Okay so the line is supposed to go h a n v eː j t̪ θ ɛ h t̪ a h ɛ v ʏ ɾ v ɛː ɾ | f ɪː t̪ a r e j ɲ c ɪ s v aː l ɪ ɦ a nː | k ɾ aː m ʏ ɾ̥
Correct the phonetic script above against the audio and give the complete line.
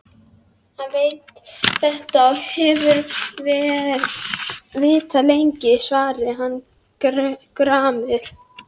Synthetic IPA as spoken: h a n v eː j t̪ θ ɛ h t̪ a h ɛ v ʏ ɾ v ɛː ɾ | v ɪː t̪ a l e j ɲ c ɪ s v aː ɾ ɪ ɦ a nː | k ɾ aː m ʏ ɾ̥